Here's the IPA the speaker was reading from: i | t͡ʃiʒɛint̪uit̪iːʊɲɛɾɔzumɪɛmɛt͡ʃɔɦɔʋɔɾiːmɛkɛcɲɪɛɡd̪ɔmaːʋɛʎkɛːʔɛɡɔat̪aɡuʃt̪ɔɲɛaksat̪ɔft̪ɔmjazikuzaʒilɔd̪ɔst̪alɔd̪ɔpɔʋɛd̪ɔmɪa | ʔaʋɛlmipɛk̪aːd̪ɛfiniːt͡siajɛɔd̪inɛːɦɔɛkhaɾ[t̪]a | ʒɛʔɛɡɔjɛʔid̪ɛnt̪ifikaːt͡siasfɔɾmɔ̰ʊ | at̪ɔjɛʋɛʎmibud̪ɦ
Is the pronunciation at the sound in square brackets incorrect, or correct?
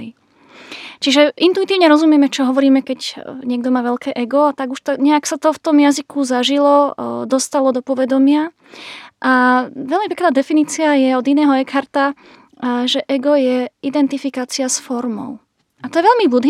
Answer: correct